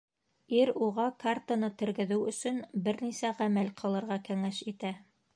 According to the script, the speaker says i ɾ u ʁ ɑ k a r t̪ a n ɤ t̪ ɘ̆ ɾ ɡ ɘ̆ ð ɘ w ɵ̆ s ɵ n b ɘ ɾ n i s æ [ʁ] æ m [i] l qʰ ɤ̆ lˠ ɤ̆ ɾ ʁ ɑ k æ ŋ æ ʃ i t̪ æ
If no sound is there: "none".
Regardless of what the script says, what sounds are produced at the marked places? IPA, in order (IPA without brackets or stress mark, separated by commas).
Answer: ʁ, æ